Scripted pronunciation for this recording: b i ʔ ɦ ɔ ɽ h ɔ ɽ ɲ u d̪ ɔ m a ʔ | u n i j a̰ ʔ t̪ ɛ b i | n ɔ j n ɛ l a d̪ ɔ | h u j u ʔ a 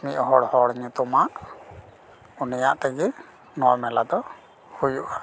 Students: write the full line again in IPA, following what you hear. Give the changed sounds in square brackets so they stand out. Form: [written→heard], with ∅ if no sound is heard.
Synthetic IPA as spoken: [b→m] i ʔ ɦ ɔ ɽ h ɔ ɽ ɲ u [d̪→t̪] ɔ m a ʔ | u n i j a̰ ʔ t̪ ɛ [b→ɡ] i | n ɔ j [n→m] ɛ l a d̪ ɔ | h u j u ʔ a